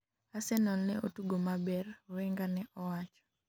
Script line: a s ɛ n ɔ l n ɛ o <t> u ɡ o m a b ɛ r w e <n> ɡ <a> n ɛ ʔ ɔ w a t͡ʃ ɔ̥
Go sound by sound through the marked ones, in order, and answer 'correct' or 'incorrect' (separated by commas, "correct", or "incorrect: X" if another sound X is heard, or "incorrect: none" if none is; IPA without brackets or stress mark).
correct, incorrect: ŋ, correct